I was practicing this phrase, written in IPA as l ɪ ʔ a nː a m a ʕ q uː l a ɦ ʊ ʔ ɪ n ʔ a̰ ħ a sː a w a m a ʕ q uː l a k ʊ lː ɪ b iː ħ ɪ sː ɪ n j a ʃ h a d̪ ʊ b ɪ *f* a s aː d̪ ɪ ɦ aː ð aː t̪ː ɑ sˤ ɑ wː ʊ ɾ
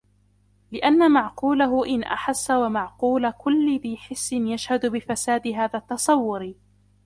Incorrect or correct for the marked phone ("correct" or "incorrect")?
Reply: correct